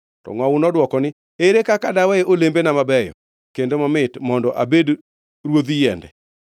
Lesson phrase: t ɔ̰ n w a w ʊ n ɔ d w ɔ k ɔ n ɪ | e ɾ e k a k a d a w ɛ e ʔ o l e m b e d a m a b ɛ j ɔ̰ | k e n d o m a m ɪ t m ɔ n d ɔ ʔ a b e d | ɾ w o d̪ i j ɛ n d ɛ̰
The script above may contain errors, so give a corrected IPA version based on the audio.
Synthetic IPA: t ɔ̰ ŋ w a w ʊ n ɔ d w ɔ k ɔ n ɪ | e ɾ e k a k a d a w ɛ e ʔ o l e m b e n a m a b ɛ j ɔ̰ | k e n d o m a m ɪ t m ɔ n d ɔ ʔ a b e d | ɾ w o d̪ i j ɛ n d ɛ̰